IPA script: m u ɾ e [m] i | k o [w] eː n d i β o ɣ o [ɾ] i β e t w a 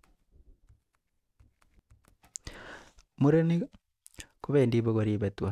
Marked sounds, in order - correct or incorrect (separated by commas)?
incorrect, incorrect, correct